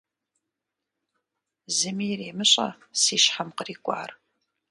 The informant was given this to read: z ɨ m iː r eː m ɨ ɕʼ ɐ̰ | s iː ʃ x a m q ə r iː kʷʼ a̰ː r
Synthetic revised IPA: z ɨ m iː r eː m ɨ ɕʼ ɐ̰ | s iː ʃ ħ a m q ə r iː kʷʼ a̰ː r